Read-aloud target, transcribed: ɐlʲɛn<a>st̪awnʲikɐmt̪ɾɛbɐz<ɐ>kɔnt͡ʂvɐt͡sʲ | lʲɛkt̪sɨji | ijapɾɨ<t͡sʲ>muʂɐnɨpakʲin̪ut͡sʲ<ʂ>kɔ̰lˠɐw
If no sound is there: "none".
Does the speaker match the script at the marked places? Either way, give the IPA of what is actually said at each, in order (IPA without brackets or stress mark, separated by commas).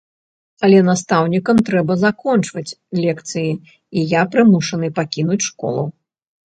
a, a, none, ʂ